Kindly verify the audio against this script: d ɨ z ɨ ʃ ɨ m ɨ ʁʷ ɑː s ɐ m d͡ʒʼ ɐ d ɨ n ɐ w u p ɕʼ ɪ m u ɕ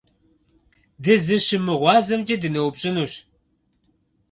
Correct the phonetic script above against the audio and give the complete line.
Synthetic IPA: d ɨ z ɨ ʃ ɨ m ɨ ʁʷ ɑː z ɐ m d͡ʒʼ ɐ d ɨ n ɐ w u p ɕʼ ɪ n u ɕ